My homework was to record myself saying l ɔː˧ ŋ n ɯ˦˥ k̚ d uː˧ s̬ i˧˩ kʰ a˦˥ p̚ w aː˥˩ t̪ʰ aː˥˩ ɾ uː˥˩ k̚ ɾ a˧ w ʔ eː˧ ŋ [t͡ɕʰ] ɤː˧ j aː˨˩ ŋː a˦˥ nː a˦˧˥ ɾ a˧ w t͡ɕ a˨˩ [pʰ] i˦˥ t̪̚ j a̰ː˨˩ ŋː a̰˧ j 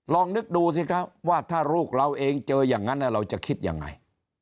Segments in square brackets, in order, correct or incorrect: incorrect: t͡ɕ, incorrect: kʰ

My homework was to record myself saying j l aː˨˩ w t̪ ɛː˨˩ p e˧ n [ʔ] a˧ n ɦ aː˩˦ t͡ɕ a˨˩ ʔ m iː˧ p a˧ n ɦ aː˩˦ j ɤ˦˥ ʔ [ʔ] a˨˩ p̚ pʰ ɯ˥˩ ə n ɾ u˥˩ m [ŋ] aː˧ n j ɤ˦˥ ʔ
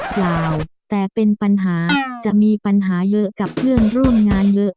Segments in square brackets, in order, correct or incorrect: incorrect: p, incorrect: k, correct

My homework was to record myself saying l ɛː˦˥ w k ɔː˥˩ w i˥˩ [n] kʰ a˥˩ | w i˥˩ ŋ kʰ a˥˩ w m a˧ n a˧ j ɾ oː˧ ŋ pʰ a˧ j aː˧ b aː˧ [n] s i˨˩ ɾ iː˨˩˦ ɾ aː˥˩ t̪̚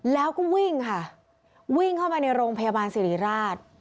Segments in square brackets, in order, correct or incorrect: incorrect: ŋ, correct

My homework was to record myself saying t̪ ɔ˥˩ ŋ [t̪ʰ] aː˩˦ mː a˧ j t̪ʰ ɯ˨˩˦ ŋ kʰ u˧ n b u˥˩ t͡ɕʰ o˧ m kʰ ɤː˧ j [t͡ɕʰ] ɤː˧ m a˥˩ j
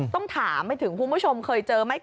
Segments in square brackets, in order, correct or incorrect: correct, incorrect: t͡ɕ

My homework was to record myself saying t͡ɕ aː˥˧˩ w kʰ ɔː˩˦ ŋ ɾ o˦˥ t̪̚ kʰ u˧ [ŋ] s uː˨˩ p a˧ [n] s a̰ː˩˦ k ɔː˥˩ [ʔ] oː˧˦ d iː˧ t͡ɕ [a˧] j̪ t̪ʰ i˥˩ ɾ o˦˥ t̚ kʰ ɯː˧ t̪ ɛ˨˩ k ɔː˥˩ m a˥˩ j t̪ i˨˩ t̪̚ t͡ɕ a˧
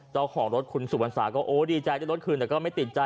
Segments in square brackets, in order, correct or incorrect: incorrect: n, correct, correct, correct

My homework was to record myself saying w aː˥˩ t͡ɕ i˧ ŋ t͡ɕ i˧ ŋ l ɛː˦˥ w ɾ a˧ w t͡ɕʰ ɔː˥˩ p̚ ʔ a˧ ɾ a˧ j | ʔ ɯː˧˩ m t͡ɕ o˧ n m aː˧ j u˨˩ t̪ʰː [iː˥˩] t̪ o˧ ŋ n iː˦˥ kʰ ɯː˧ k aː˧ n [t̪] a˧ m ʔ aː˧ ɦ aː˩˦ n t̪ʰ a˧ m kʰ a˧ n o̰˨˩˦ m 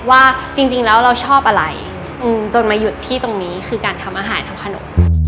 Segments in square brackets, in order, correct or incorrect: correct, incorrect: t̪ʰ

